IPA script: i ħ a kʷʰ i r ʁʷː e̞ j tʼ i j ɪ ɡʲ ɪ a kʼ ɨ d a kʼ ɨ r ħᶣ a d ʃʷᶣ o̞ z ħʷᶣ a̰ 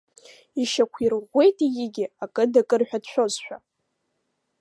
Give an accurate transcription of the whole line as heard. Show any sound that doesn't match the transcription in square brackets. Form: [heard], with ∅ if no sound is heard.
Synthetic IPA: i [ʃ] a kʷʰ i r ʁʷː e̞ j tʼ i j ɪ ɡʲ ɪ a kʼ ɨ d a kʼ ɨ r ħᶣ a d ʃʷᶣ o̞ z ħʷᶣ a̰